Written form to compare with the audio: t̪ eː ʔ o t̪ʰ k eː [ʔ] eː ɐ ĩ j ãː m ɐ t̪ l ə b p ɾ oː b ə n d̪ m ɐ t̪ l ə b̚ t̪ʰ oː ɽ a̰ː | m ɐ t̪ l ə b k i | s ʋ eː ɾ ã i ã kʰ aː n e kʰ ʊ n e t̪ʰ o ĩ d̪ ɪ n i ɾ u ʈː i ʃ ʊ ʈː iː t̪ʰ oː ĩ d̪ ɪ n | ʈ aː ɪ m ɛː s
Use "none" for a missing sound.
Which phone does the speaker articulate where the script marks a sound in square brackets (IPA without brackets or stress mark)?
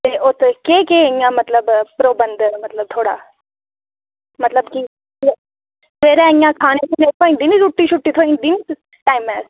k